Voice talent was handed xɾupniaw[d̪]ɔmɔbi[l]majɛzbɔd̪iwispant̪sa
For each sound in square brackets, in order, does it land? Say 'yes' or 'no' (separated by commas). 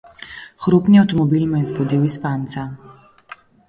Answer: no, yes